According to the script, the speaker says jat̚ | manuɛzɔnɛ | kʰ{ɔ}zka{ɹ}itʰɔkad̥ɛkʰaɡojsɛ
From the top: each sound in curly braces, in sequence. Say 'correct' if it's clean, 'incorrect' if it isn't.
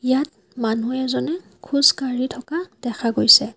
incorrect: u, correct

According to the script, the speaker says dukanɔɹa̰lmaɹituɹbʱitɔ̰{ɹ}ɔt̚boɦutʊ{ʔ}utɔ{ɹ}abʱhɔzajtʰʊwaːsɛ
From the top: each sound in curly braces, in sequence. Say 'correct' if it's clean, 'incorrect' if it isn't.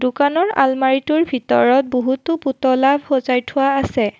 correct, incorrect: p, incorrect: l

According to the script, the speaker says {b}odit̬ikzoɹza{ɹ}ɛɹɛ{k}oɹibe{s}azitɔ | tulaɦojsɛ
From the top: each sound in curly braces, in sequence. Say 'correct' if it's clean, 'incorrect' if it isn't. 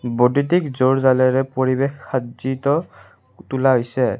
correct, incorrect: l, incorrect: p, incorrect: x

